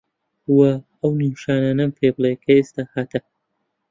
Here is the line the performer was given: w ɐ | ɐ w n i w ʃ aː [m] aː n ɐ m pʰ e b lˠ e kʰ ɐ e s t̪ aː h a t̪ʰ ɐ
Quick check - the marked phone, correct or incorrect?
incorrect